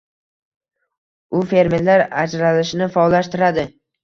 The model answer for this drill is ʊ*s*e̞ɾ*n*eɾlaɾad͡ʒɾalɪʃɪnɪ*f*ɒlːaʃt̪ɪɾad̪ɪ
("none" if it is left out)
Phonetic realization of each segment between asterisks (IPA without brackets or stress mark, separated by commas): f, m, f